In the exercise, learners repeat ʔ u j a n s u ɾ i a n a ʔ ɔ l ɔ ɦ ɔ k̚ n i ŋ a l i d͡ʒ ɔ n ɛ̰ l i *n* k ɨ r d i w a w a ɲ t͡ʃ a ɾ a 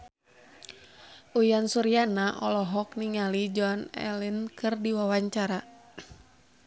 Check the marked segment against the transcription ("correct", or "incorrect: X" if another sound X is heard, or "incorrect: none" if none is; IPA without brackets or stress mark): correct